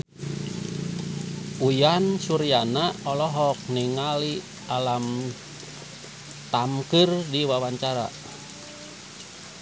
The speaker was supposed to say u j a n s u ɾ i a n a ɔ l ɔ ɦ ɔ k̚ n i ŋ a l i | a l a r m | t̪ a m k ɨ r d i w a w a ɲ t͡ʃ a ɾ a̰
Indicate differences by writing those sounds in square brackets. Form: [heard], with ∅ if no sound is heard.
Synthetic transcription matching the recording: u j a n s u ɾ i a n a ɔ l ɔ ɦ ɔ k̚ n i ŋ a l i | a l a [∅] m | t̪ a m k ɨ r d i w a w a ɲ t͡ʃ a ɾ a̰